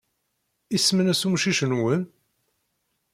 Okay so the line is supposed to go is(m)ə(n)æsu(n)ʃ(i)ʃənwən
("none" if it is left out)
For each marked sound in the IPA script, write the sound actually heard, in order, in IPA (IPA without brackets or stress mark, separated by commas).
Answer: m, n, m, i